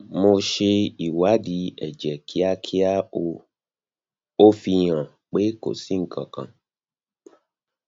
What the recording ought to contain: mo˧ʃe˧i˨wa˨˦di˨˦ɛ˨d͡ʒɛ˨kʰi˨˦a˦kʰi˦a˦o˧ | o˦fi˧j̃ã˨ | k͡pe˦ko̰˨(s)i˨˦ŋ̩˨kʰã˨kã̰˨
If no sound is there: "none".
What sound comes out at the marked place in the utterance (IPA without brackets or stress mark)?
s